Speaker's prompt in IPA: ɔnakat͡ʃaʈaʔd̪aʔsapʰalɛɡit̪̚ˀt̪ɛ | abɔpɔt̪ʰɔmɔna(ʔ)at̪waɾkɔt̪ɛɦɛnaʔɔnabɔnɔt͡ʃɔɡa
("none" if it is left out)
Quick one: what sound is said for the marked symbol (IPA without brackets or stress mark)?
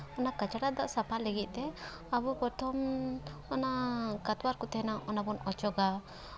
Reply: k